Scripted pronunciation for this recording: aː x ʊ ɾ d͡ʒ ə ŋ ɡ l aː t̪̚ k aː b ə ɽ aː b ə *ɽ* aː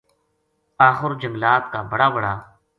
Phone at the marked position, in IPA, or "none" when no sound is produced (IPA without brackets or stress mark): ɽ